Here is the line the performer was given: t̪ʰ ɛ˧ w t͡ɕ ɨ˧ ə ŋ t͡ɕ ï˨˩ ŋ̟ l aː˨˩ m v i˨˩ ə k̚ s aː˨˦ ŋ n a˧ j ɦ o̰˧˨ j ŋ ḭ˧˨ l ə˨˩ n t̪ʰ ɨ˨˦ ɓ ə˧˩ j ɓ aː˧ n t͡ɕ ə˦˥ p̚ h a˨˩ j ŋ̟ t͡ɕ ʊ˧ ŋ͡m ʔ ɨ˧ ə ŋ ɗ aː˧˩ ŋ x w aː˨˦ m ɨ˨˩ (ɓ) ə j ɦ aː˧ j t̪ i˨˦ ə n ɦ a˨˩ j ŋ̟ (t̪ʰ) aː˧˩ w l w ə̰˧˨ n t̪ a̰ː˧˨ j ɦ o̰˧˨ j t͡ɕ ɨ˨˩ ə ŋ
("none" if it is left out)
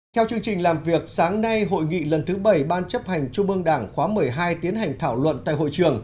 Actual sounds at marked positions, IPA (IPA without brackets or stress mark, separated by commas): none, t̪ʰ